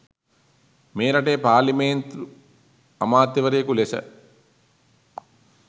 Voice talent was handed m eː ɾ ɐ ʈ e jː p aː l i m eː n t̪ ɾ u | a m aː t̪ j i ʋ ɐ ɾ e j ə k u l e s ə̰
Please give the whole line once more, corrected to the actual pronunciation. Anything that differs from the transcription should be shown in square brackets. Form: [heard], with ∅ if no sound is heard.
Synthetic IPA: m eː ɾ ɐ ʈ e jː p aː l i m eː n t̪ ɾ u | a m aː t̪ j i ʋ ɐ ɾ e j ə k u l e s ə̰